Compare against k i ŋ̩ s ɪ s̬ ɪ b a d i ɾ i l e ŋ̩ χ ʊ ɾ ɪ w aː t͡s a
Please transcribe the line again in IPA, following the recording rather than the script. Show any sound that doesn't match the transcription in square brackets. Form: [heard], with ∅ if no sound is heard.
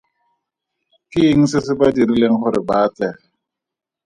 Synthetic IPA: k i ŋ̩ s ɪ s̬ ɪ b a d i ɾ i l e ŋ̩ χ ʊ ɾ ɪ [b] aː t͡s [ɛ]